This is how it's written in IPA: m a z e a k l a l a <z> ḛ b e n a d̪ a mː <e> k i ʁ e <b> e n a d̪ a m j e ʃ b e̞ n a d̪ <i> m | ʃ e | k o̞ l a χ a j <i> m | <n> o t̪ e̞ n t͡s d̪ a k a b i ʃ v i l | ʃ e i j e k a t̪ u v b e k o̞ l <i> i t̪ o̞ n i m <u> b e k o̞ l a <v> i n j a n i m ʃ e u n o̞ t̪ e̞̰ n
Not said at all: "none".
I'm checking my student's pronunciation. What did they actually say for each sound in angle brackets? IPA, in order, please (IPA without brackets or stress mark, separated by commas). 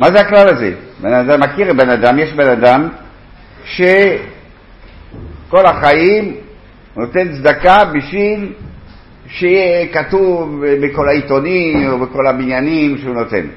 z, a, b, a, i, n, a, o, b